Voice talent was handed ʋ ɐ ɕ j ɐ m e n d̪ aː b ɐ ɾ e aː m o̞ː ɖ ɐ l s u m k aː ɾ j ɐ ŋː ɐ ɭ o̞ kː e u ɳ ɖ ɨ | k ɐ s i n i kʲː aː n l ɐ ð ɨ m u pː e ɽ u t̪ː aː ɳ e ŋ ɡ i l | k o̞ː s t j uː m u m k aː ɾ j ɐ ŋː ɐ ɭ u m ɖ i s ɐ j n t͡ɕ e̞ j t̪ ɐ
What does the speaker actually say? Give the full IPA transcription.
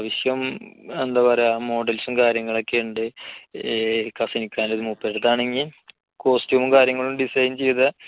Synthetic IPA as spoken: ʋ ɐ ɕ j ɐ m e n d̪ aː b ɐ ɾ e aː m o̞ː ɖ ɐ l s u m k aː ɾ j ɐ ŋː ɐ ɭ o̞ kː e u ɳ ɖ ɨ | k ɐ s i n i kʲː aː n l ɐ ð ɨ m u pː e ɽ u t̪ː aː ɳ e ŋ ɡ i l | k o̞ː s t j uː m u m k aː ɾ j ɐ ŋː ɐ ɭ u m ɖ i s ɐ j n t͡ɕ e̞ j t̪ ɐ